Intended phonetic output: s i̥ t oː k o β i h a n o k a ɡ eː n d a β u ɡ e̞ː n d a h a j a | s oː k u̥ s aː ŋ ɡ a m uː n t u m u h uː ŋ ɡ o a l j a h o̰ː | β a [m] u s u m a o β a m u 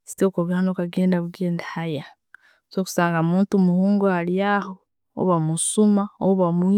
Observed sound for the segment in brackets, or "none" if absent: m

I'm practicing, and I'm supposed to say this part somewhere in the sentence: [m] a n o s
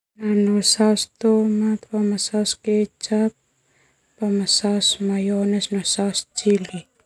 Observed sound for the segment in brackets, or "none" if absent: n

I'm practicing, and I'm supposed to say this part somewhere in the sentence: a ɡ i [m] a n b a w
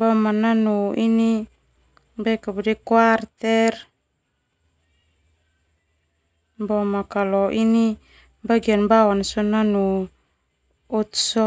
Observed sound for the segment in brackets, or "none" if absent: none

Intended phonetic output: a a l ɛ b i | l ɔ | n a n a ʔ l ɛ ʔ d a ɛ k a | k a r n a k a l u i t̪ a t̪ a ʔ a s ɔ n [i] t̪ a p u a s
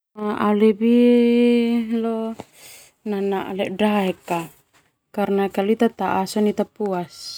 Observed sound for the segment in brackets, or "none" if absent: i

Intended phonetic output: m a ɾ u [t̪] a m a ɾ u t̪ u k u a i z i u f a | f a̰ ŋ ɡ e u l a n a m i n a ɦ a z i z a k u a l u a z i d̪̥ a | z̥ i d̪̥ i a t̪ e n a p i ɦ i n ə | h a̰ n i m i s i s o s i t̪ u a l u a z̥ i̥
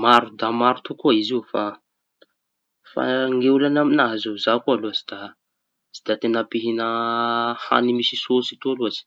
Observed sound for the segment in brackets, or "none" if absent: d̪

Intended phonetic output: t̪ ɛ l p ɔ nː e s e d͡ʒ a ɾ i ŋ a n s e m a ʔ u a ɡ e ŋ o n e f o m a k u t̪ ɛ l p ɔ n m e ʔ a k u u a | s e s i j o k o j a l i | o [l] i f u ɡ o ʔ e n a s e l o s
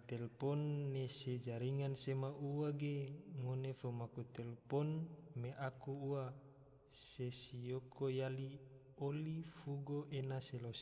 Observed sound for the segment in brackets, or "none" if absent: l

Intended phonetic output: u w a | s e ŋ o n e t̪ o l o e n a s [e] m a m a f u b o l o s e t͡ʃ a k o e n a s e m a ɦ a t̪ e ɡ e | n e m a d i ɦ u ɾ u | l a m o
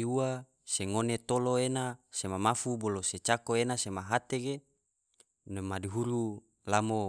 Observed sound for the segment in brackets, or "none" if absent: e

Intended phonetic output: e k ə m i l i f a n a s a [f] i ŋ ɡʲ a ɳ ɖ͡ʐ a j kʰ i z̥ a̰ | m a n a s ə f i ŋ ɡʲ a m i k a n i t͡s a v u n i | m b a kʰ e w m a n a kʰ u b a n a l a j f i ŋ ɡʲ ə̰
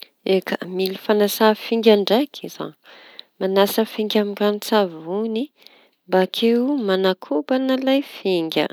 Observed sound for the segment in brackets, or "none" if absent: f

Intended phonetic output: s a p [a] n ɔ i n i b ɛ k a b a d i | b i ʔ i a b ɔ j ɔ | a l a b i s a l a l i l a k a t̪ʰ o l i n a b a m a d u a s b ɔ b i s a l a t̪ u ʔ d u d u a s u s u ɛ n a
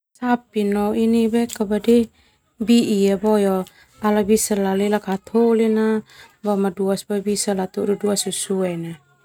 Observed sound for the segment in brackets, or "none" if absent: i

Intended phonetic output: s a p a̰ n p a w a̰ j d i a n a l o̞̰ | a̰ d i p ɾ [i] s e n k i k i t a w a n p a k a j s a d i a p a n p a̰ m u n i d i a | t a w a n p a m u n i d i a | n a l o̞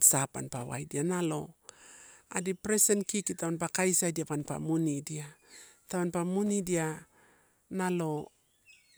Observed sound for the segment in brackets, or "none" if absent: e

